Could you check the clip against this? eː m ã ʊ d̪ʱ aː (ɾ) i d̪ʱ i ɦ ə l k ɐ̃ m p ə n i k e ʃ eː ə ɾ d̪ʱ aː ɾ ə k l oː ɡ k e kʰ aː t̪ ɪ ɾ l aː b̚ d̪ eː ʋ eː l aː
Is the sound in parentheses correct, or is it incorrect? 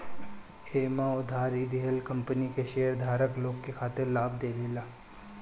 correct